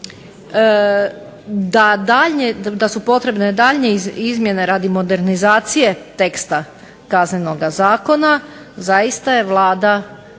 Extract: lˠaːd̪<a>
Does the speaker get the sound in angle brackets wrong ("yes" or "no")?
no